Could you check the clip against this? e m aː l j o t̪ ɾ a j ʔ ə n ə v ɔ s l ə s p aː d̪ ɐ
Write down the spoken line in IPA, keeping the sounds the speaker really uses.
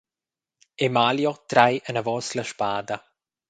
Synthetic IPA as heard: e m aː l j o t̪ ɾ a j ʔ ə n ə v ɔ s l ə ʃ p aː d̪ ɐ